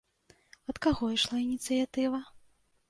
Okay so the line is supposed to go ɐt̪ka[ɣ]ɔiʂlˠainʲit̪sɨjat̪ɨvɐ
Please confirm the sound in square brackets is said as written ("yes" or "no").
yes